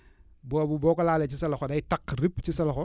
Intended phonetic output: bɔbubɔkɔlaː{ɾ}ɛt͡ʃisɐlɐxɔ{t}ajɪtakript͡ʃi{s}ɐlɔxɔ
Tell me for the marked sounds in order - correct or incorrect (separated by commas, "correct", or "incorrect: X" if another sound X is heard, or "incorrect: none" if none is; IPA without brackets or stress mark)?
incorrect: l, incorrect: d, correct